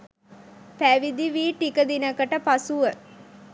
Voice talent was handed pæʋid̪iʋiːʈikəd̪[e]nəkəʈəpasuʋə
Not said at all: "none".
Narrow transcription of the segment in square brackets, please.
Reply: i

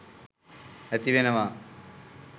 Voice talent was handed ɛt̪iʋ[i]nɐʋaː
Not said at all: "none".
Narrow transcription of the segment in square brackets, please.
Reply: e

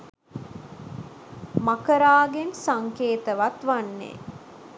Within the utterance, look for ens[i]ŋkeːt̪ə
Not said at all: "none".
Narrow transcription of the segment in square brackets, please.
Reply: a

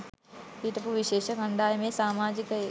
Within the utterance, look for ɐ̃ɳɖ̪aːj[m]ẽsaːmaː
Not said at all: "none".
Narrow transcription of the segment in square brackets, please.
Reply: m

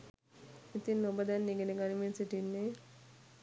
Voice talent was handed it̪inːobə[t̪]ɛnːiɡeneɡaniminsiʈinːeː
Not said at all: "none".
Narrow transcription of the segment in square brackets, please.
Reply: d̪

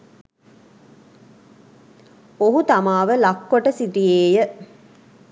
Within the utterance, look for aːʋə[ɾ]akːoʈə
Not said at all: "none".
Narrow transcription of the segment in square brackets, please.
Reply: l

